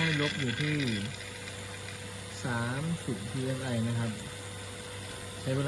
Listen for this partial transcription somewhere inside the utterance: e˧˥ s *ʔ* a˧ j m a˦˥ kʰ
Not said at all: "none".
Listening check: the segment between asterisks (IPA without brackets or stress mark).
ʔ